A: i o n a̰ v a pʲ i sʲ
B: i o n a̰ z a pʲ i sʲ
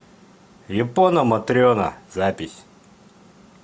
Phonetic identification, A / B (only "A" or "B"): B